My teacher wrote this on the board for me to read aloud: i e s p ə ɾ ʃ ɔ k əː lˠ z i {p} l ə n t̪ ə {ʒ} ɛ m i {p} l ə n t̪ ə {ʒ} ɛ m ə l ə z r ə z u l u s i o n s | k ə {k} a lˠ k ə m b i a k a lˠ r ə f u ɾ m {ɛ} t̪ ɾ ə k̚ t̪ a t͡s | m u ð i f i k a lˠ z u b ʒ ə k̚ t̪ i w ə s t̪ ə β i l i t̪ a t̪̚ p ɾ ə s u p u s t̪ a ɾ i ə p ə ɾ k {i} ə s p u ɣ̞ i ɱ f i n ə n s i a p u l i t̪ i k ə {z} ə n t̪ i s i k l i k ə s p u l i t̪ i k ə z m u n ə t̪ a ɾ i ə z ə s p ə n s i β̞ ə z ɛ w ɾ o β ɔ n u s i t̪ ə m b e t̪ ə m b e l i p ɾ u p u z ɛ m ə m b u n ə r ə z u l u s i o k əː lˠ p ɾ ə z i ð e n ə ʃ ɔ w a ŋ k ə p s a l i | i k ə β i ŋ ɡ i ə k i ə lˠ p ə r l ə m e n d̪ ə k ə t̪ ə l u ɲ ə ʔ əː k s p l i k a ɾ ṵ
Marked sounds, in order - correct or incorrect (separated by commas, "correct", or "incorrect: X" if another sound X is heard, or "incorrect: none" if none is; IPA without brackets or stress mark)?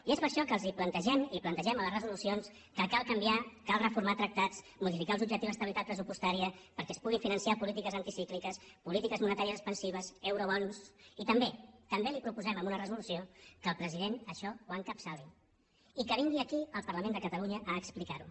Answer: correct, correct, correct, correct, correct, incorrect: a, incorrect: ɛ, correct